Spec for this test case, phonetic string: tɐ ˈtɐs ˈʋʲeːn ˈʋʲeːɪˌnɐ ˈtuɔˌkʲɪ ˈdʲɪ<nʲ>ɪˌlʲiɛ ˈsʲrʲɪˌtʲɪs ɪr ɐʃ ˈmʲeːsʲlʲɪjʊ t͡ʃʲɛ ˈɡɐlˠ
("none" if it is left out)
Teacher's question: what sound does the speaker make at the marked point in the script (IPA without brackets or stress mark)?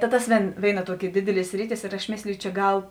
dʲ